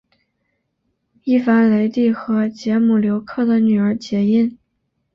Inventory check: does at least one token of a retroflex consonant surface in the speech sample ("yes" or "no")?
no